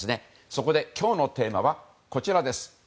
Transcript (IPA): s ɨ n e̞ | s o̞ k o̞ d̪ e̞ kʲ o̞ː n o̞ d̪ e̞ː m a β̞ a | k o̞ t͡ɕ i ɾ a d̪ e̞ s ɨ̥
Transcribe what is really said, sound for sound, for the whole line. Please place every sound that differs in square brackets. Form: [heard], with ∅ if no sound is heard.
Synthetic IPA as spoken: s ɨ n e̞ | s o̞ k o̞ d̪ e̞ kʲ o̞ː n o̞ [t̪] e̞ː m a β̞ a | k o̞ t͡ɕ i ɾ a d̪ e̞ s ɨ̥